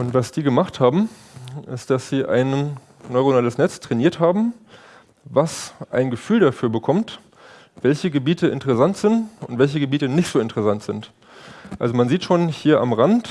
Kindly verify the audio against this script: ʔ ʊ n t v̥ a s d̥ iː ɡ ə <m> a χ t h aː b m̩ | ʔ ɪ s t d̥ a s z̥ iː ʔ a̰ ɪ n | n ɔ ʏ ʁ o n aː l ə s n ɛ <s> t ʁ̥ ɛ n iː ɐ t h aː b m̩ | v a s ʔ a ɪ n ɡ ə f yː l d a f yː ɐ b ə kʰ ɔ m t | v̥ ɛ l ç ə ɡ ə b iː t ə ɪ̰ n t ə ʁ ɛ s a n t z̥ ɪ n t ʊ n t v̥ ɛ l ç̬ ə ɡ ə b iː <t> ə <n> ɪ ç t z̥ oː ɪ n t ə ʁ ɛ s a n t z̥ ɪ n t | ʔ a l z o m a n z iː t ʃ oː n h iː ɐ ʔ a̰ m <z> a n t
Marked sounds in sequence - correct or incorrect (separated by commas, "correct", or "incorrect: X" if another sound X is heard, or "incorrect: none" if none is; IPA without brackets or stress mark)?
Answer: correct, incorrect: t͡s, correct, correct, incorrect: ʁ